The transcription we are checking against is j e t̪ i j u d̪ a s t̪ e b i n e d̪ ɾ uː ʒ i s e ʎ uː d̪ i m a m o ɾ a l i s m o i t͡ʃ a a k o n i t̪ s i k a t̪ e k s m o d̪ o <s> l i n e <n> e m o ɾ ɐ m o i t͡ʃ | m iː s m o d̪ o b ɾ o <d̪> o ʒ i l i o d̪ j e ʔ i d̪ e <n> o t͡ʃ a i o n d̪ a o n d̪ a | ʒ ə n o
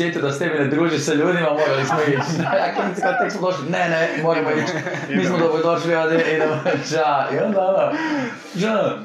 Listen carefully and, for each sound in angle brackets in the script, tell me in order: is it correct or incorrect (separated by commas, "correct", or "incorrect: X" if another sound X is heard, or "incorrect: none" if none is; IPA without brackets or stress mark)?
incorrect: ʃ, correct, correct, incorrect: m